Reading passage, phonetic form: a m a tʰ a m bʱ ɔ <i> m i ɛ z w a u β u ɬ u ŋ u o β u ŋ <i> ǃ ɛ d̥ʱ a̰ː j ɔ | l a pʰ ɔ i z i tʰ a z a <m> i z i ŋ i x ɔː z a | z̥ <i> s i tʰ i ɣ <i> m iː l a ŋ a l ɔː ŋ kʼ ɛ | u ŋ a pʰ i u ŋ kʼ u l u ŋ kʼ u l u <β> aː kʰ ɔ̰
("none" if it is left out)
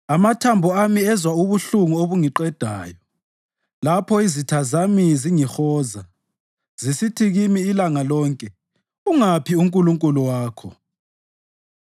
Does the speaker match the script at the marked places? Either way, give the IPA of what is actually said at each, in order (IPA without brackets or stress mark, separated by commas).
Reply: a, i, m, i, i, w